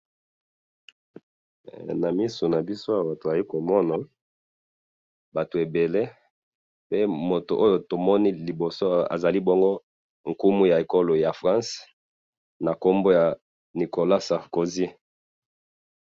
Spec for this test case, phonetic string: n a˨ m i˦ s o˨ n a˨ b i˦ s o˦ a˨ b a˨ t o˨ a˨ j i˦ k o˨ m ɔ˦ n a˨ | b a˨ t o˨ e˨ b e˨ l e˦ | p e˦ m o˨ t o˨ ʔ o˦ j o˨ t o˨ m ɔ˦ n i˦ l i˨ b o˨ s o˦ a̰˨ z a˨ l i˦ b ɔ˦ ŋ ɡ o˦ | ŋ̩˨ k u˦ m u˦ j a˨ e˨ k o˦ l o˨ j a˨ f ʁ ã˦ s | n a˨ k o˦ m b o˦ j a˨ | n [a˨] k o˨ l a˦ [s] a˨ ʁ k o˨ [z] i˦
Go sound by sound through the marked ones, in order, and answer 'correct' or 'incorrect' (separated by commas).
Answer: incorrect, correct, correct